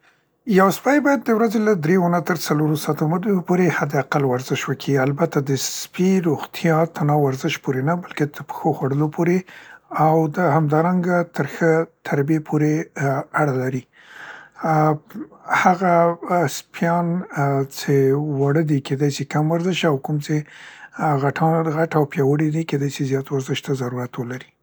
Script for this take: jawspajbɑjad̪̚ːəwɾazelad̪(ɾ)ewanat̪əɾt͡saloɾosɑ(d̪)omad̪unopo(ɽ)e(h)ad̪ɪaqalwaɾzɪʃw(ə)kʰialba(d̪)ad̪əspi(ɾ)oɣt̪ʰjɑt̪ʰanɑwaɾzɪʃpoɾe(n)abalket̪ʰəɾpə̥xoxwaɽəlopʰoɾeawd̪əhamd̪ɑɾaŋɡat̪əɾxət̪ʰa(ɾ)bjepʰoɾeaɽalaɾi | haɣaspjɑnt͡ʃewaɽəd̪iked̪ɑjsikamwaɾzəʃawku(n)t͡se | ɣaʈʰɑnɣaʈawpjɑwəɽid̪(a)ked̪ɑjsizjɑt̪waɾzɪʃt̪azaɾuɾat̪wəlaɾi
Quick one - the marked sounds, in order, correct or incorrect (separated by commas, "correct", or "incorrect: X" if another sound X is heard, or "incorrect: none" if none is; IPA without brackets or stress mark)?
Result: correct, incorrect: t̪, incorrect: ɾ, correct, correct, incorrect: t̪, correct, correct, correct, incorrect: m, incorrect: i